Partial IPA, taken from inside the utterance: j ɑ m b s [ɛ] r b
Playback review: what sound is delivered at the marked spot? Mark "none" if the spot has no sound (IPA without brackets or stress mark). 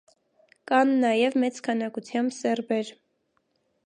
ɛ